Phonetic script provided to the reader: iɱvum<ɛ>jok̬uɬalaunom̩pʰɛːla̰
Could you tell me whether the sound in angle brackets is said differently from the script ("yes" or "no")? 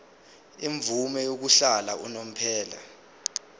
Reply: no